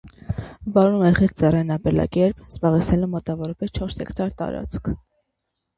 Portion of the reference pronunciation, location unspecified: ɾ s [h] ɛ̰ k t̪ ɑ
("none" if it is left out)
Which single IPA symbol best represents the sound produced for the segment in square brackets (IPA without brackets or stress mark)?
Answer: h